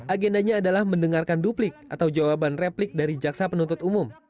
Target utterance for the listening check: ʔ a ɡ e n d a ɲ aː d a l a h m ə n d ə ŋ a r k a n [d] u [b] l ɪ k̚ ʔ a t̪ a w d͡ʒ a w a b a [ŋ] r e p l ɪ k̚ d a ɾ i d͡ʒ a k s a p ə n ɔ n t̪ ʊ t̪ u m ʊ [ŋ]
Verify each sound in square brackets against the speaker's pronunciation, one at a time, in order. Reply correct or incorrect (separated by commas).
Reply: correct, incorrect, incorrect, incorrect